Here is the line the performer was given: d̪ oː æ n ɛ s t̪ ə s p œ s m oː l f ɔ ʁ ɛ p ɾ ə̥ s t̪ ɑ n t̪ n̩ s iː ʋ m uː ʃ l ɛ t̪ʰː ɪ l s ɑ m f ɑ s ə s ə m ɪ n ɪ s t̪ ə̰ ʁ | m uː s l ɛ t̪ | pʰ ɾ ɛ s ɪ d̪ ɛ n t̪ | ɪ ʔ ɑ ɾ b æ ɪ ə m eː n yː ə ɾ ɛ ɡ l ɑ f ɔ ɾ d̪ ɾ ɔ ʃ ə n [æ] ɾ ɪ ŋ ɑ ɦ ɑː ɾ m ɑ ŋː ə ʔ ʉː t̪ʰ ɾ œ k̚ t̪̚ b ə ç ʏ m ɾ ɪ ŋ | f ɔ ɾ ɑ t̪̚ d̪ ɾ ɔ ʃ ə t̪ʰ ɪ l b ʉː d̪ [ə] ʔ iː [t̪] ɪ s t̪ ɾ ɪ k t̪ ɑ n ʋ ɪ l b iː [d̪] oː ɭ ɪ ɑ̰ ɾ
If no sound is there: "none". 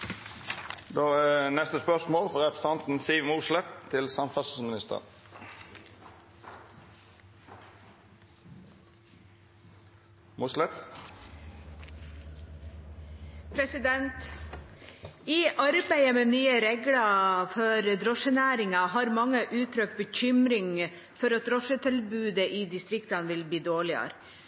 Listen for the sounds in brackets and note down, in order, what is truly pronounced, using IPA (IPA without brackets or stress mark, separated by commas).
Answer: æː, ə, d̪, d̪